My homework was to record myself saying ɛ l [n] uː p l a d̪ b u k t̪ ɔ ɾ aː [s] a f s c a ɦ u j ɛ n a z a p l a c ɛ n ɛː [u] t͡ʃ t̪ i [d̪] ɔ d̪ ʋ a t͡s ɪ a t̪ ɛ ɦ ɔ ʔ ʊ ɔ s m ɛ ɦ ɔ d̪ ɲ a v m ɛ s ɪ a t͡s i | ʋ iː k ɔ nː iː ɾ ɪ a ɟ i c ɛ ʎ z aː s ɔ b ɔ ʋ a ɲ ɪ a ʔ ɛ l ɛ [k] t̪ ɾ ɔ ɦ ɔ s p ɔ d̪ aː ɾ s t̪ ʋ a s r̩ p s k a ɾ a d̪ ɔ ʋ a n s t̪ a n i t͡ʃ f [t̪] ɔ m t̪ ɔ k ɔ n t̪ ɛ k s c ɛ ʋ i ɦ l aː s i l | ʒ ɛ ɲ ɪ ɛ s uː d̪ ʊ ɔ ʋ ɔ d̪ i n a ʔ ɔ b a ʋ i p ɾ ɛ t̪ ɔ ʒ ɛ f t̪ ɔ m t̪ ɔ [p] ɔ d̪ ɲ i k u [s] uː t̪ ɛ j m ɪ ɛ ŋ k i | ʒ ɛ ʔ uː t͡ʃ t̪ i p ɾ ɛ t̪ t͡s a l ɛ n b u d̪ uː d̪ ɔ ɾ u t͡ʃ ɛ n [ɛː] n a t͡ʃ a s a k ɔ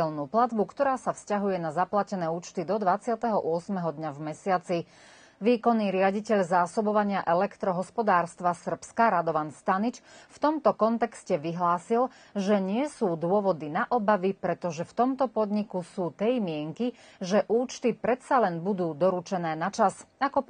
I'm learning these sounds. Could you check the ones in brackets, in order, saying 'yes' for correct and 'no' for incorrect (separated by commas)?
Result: yes, yes, no, yes, yes, yes, yes, yes, yes